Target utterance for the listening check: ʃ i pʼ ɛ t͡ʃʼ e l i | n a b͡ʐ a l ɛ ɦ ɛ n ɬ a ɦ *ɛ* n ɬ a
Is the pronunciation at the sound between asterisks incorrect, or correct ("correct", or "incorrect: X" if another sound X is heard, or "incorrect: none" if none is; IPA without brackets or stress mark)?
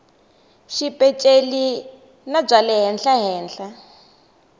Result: incorrect: ɛː